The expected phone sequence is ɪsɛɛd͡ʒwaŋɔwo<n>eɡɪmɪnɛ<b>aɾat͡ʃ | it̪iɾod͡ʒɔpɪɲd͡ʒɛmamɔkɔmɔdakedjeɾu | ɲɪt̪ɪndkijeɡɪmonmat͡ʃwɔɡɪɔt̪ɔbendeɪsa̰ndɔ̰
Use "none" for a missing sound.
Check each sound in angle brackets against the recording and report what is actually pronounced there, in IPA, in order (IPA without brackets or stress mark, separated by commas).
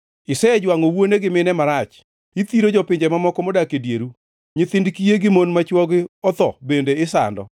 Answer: n, m